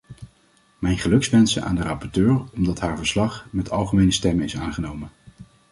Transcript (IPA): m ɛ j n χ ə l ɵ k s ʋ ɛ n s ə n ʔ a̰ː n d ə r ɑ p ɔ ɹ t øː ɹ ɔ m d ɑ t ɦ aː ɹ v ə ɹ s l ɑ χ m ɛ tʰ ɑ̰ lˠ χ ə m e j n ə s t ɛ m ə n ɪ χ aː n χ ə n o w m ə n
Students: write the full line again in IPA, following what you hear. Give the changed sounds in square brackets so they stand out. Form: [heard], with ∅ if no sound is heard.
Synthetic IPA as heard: m ɛ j n χ ə l ɵ k s ʋ ɛ n s ə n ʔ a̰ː n d ə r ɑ p ɔ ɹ t øː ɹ ɔ m d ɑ t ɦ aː ɹ v ə ɹ s l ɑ χ m ɛ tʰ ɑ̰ lˠ χ ə m e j n ə s t ɛ m ə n ɪ [s] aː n χ ə n o w m ə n